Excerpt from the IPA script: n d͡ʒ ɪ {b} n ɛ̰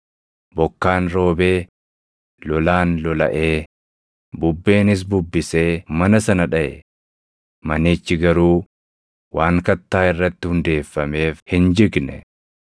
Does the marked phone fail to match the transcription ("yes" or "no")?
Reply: yes